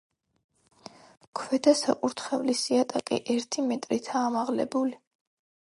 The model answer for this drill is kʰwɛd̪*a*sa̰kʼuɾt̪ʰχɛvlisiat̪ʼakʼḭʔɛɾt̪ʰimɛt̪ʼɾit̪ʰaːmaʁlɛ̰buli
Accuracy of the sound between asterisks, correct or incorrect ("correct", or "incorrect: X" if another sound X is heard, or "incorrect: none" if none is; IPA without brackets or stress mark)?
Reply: correct